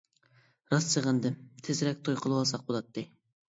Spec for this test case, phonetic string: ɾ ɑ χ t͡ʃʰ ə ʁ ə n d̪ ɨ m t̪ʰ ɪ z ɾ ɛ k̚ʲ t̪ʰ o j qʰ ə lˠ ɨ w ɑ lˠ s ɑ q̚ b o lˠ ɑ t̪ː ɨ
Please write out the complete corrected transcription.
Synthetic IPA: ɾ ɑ s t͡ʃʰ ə ʁ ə n d̪ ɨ m t̪ʰ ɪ z ɾ ɛ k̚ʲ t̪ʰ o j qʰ ə lˠ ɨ w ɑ lˠ s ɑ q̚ b o lˠ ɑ t̪ː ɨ